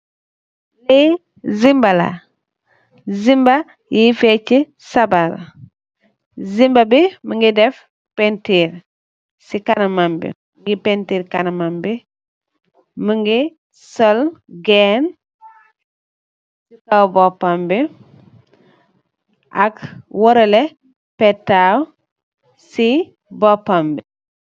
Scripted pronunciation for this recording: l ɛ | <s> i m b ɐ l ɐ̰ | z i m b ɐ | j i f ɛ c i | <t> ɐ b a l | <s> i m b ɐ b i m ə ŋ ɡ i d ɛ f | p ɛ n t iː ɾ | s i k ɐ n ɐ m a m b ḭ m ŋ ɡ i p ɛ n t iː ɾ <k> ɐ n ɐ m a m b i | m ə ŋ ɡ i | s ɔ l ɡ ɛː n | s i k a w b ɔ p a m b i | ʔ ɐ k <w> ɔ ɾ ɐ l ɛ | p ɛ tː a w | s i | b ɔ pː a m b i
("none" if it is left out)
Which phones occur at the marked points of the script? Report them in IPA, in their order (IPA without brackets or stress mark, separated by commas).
z, s, z, k, w